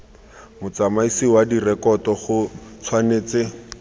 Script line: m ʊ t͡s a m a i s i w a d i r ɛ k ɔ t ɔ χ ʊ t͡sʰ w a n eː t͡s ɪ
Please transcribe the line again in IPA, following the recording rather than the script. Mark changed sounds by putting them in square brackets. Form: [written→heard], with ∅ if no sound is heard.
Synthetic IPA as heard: m ʊ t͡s a m a i s i w a d i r ɛ k ɔ t ɔ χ ʊ t͡sʰ w a n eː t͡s ɪ